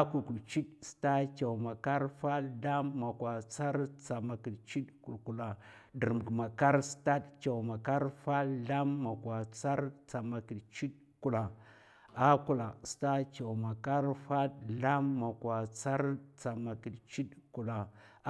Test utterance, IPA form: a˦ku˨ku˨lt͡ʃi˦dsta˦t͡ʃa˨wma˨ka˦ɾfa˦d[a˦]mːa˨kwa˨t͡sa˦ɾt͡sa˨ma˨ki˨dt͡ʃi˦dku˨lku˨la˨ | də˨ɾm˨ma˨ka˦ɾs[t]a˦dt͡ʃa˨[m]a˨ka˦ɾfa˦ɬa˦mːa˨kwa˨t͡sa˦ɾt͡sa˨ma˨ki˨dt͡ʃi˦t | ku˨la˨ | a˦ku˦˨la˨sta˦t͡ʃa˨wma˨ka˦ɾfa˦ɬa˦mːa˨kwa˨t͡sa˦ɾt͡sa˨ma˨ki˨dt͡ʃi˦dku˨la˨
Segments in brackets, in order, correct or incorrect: correct, correct, correct

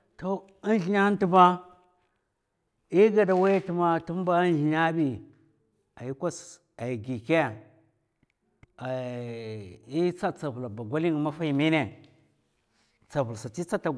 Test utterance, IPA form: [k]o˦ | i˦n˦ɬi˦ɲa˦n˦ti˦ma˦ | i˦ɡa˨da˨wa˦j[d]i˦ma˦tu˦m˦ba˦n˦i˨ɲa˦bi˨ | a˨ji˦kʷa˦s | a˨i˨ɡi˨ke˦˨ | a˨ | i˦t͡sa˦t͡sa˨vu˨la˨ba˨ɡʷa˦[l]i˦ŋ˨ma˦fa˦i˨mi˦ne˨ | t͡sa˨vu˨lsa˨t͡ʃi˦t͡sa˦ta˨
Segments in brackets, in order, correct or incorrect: incorrect, incorrect, correct

